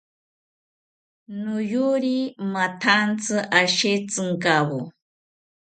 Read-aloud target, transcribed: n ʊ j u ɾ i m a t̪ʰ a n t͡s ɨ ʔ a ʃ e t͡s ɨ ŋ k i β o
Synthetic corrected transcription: n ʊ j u ɾ i m a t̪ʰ a n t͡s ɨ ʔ a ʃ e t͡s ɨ ŋ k a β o